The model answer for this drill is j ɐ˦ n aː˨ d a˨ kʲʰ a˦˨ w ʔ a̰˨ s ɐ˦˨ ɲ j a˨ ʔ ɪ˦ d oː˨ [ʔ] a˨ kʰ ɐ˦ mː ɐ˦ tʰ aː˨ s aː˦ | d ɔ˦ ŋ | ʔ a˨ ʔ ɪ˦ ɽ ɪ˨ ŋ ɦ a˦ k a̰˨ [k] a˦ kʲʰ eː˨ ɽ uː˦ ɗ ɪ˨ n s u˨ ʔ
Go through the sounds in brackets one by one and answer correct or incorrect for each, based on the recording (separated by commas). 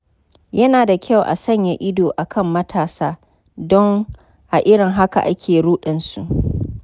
correct, incorrect